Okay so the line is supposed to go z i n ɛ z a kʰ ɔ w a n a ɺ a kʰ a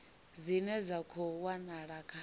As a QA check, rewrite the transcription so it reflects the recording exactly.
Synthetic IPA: z i n ɛ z a kʰ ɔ w a n a ɺ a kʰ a